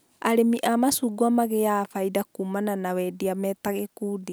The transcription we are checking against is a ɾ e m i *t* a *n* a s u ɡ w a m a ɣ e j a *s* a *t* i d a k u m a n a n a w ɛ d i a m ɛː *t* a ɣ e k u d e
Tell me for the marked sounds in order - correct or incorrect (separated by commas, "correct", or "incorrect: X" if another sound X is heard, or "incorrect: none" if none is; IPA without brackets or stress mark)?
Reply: incorrect: ʔ, incorrect: m, incorrect: f, incorrect: none, correct